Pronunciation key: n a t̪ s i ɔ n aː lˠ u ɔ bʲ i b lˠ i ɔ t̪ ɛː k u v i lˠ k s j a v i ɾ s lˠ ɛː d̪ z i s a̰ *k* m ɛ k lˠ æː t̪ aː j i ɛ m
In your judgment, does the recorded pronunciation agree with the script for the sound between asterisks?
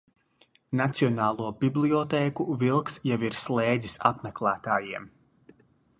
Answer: no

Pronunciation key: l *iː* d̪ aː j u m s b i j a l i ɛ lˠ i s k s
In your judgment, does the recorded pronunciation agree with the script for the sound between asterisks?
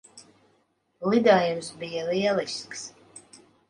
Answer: no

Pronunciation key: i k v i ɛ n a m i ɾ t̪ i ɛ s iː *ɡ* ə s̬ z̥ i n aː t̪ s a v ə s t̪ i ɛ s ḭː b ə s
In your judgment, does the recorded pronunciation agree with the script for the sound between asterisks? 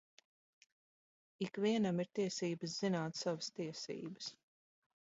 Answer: no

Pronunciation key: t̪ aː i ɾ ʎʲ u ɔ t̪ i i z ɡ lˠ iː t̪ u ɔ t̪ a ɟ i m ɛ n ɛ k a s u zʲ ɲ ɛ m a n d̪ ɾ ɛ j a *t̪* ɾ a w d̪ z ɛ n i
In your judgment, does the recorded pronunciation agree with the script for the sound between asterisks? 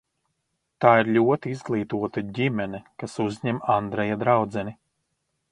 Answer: no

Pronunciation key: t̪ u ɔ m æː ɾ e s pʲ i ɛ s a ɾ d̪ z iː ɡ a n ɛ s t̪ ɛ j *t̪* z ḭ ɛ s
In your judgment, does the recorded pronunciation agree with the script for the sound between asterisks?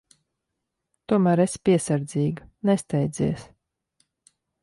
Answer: no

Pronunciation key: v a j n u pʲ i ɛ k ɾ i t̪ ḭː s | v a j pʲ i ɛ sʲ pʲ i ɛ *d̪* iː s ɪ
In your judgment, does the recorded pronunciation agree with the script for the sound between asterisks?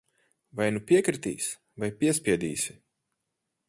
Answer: yes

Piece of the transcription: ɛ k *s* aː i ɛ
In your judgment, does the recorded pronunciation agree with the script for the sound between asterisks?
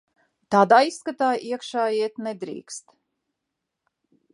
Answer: no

